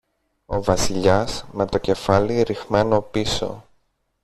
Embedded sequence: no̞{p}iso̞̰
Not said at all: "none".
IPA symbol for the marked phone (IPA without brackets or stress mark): p